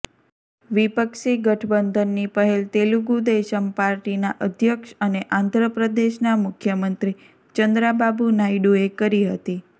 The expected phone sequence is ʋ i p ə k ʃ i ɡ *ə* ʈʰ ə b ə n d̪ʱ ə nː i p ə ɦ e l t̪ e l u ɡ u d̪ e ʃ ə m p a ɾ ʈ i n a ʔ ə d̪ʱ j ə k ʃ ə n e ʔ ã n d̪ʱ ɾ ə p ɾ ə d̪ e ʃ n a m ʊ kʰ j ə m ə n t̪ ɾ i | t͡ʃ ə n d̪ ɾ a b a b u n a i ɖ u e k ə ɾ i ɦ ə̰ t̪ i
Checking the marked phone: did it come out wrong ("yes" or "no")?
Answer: no